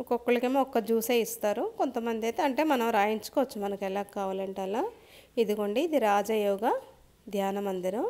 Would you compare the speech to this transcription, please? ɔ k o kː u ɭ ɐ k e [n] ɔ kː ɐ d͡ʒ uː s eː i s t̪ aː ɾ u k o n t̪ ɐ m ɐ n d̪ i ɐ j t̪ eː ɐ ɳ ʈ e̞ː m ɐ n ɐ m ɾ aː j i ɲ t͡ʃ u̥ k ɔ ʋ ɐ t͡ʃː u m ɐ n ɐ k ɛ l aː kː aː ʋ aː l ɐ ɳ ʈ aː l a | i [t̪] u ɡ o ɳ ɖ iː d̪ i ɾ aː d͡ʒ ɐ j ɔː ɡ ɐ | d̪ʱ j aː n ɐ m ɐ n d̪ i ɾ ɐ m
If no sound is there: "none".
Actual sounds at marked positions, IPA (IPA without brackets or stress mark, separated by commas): m, d̪